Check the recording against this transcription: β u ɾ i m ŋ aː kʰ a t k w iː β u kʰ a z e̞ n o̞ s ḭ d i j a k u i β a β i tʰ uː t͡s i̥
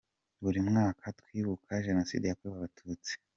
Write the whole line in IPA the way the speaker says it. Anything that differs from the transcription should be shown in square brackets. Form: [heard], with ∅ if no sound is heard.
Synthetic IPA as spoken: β u ɾ i m ŋ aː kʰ a t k w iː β u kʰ a [ʒ] e̞ n o̞ s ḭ d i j a k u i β a β [a] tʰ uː t͡s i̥